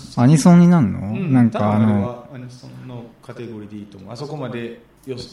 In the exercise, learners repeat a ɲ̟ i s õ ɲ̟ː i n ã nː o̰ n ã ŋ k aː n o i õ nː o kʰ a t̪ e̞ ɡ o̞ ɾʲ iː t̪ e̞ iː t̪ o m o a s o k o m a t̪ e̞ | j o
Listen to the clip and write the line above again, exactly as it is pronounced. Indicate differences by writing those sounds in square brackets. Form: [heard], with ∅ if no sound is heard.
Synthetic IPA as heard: a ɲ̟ i s õ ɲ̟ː i n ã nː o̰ n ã ŋ k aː n o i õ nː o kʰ a t̪ e̞ ɡ o̞ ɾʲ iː [d̪] e̞ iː t̪ o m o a s o k o m a [d̪] e̞ | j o